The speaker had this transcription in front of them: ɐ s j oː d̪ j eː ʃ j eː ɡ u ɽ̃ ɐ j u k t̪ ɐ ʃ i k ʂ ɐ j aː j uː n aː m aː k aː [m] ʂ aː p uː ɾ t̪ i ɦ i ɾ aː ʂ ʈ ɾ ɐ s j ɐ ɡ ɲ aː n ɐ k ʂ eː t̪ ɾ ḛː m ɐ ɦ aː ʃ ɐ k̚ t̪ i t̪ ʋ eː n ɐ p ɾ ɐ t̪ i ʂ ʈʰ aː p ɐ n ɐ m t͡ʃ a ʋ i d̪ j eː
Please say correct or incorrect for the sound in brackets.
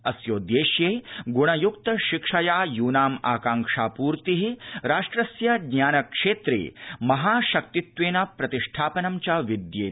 incorrect